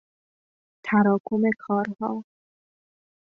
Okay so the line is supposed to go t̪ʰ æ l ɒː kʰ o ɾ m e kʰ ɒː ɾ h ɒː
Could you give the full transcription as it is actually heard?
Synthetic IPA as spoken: t̪ʰ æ ɾ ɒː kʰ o m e kʰ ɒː ɾ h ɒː